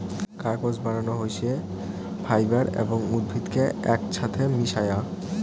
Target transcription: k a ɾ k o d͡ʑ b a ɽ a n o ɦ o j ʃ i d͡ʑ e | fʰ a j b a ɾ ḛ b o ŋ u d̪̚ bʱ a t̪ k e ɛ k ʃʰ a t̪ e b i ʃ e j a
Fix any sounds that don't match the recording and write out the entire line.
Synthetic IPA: k a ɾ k o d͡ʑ b a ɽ a n o ɦ o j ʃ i e | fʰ a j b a ɾ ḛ b o ŋ u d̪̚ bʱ i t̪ k e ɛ k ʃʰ a t̪ʰ e m i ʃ a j a